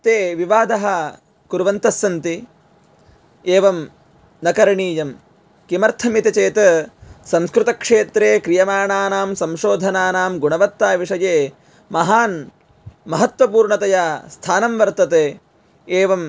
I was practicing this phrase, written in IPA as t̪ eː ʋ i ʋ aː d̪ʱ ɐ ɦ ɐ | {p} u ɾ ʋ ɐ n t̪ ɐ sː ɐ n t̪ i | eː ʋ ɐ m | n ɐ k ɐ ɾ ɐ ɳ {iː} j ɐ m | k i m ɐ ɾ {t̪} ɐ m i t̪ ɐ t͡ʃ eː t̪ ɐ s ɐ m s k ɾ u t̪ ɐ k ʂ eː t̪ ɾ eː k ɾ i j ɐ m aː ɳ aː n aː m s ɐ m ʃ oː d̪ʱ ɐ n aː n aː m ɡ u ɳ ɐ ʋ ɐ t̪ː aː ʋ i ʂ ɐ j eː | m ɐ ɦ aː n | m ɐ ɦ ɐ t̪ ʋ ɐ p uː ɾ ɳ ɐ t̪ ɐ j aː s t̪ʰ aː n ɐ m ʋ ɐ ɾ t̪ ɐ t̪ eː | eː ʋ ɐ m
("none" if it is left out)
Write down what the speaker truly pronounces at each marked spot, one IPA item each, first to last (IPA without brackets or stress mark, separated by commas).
k, iː, t̪ʰ